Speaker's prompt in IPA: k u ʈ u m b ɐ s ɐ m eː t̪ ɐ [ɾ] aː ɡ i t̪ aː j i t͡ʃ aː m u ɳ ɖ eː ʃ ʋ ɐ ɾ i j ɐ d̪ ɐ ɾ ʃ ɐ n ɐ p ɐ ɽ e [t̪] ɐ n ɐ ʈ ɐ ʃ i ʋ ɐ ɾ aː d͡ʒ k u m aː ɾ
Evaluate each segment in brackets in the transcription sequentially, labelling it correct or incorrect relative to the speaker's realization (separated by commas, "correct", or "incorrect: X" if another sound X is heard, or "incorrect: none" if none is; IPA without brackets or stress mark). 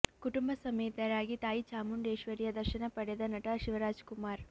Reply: correct, incorrect: d̪